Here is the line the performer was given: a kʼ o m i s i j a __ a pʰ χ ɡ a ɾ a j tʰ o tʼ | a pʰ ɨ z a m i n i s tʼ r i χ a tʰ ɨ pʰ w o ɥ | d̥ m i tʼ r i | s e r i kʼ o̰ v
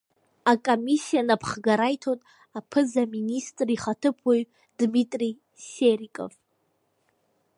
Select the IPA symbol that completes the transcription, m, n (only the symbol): n